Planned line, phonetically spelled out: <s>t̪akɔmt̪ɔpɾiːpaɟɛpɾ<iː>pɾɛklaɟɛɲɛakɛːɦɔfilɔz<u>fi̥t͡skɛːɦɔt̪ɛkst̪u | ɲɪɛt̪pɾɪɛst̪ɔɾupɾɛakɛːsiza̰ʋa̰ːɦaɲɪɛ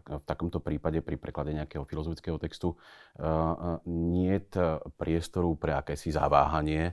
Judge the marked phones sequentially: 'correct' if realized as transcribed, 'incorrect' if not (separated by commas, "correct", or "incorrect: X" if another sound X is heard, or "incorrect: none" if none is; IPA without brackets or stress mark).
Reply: incorrect: f, incorrect: i, incorrect: ɔ